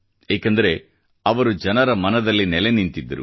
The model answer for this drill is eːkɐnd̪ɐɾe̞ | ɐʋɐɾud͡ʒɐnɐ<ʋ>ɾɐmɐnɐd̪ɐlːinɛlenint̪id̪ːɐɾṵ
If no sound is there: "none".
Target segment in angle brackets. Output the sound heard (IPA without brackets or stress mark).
none